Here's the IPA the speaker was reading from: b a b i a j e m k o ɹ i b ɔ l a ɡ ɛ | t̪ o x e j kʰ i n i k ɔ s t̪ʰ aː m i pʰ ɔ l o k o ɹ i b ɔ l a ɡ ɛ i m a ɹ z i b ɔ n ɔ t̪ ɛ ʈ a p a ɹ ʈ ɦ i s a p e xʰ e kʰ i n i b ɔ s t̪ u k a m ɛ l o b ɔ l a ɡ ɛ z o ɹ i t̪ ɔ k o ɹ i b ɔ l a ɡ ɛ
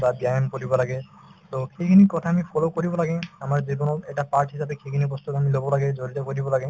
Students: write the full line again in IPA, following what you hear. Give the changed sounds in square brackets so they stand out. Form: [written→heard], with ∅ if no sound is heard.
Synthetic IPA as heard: b a b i a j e m k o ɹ i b ɔ l a ɡ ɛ | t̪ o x e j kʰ i n i k ɔ [s→∅] t̪ʰ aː m i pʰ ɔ l o k o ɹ i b ɔ l a ɡ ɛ [i→a] m a ɹ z i b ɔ n ɔ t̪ ɛ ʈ a p a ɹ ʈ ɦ i s a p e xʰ e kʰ i n i b ɔ s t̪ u k a m [ɛ→i] l o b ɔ l a ɡ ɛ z o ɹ i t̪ ɔ k o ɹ i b ɔ l a ɡ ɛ

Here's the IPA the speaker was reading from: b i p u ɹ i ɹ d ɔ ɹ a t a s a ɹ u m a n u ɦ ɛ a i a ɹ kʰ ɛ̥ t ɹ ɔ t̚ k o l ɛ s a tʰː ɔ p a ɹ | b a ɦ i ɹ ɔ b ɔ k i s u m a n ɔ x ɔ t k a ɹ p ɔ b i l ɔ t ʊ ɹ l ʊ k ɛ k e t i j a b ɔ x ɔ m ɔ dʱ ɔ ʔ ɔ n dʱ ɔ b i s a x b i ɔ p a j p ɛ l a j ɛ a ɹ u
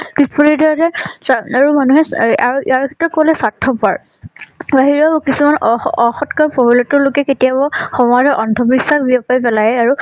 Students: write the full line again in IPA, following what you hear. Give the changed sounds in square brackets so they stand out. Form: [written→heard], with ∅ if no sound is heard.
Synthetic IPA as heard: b i p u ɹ i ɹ d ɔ ɹ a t [a→ɛ] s a ɹ u m a n u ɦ ɛ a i a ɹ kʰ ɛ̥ t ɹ ɔ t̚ k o l ɛ s a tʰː ɔ p a ɹ | b a ɦ i ɹ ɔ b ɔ k i s u m a n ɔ x ɔ t k a ɹ p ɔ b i l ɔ t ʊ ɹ l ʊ k ɛ k e t i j a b ɔ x ɔ m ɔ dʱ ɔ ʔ ɔ n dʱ ɔ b i s a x b i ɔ p a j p ɛ l a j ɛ a ɹ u

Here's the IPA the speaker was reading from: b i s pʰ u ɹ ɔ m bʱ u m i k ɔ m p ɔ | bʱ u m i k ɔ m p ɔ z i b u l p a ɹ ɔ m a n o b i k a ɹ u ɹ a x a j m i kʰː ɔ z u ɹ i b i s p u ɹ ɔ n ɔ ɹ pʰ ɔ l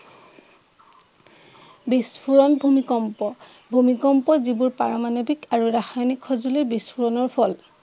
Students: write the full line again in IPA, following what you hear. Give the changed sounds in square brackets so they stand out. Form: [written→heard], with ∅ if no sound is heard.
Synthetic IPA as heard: b i s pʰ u ɹ ɔ [m→n] bʱ u m i k ɔ m p ɔ | bʱ u m i k ɔ m p ɔ z i b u [l→ɹ] p a ɹ ɔ m a n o b i k a ɹ u ɹ a x a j [m→n] i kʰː ɔ z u [ɹ→l] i b i s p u ɹ ɔ n ɔ ɹ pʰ ɔ l

